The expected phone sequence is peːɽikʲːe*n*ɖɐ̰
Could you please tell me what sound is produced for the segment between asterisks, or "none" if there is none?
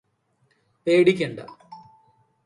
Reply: ɳ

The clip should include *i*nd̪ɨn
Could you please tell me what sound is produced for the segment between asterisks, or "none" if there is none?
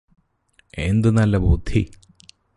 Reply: e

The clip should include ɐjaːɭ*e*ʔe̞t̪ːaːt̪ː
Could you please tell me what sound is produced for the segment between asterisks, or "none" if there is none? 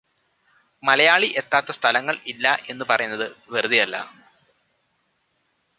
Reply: i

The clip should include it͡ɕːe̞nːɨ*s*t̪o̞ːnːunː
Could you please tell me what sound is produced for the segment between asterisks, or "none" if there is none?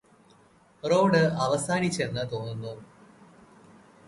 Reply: none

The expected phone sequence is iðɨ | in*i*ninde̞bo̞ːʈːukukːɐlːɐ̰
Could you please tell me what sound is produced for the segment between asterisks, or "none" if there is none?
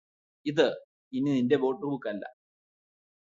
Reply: i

